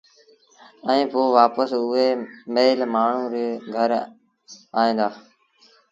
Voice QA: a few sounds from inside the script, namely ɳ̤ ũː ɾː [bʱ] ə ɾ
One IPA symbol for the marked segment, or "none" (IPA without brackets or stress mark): ɡʱ